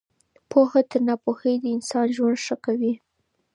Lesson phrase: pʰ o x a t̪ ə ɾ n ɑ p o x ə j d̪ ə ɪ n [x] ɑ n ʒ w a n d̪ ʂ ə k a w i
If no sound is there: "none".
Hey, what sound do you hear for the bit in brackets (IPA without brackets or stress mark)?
s